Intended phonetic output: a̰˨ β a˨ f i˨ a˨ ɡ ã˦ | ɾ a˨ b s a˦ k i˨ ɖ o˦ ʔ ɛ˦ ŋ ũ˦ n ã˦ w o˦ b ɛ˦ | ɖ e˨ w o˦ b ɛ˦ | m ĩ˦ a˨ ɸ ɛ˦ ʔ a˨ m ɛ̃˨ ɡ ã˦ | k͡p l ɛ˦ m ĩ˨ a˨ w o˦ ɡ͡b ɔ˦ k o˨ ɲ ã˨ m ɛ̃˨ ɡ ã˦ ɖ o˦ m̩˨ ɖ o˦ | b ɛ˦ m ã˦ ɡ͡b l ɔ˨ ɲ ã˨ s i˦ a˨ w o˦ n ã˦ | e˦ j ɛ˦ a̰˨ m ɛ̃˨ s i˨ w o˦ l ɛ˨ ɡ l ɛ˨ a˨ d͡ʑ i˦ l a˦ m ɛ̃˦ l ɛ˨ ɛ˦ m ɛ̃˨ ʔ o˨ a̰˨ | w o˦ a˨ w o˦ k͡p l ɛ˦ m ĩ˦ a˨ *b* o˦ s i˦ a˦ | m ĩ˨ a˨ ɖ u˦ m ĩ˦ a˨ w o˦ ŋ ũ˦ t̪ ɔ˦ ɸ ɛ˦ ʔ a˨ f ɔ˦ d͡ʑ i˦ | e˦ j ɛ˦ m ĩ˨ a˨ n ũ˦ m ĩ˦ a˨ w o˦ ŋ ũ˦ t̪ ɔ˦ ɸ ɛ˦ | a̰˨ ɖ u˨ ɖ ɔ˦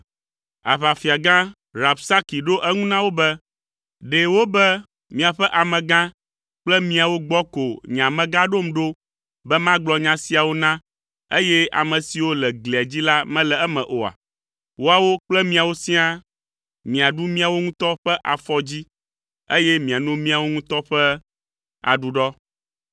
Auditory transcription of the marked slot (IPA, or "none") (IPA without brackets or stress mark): w